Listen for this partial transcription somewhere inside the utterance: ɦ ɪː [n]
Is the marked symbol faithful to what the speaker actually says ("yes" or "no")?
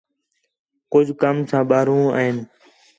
yes